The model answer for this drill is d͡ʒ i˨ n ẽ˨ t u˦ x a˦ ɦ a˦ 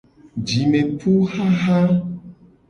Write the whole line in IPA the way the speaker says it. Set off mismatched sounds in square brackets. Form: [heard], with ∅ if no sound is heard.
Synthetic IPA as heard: d͡ʒ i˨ [m] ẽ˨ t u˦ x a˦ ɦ a˦